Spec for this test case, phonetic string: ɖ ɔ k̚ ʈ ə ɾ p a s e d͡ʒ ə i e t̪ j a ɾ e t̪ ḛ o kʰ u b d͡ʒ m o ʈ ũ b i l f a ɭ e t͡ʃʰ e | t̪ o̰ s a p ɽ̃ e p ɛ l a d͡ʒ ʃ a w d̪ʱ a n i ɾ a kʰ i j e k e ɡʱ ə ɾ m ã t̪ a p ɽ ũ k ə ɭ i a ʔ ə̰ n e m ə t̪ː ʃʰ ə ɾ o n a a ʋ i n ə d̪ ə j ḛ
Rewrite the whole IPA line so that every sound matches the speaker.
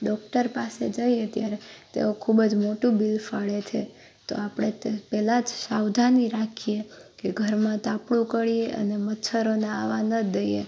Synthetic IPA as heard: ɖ ɔ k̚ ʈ ə ɾ p a s e d͡ʒ ə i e t̪ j a ɾ e t̪ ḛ o kʰ u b d͡ʒ m o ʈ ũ b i l f a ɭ e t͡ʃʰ e | t̪ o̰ a p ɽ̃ e p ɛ l a d͡ʒ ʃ a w d̪ʱ a n i ɾ a kʰ i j e k e ɡʱ ə ɾ m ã t̪ a p ɽ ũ k ə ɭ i e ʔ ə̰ n e m ə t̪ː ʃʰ ə ɾ o n a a ʋ a n ə d̪ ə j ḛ